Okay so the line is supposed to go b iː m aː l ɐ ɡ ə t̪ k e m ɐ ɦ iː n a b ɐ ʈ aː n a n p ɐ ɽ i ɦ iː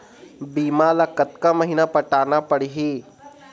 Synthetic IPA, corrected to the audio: b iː m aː l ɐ k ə t̪ k a m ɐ ɦ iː n a p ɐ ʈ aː n a p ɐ ɽ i ɦ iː